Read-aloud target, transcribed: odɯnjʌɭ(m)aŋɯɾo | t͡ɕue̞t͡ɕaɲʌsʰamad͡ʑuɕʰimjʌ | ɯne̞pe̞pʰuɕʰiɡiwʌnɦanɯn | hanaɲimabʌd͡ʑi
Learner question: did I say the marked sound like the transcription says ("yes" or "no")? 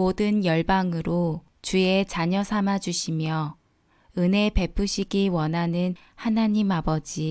no